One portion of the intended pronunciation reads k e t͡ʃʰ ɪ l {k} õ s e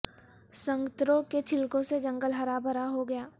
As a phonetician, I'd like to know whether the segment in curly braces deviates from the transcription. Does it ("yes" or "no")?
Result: no